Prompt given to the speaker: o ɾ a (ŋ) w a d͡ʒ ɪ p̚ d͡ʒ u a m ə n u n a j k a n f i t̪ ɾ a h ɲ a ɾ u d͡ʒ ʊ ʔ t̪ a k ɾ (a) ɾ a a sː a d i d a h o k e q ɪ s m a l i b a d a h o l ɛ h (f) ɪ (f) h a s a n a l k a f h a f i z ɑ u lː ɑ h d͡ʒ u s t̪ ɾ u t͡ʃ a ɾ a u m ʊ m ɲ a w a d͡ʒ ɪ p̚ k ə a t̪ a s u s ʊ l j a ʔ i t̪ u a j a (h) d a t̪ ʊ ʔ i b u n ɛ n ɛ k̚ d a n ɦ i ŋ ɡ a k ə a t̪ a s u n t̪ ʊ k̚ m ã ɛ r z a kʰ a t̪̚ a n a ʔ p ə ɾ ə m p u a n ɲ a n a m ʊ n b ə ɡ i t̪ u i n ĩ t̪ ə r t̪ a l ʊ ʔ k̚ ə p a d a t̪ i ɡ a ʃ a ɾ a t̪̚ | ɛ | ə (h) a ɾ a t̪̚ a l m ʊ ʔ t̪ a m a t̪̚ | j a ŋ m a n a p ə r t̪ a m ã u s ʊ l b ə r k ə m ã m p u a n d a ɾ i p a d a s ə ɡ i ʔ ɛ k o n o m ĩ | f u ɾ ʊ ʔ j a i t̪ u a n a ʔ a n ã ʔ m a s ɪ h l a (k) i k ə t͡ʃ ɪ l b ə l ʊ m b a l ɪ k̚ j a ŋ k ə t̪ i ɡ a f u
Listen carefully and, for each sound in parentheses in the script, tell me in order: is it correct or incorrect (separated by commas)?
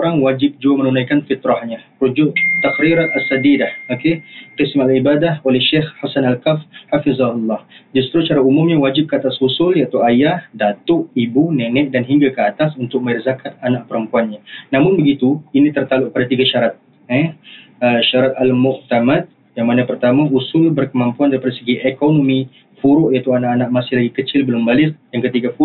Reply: correct, incorrect, incorrect, incorrect, correct, incorrect, incorrect